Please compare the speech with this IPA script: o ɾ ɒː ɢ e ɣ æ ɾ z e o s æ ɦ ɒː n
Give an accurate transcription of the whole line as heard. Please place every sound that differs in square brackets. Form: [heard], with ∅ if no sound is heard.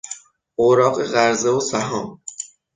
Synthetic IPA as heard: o ɾ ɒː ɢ e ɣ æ ɾ z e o s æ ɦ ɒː [m]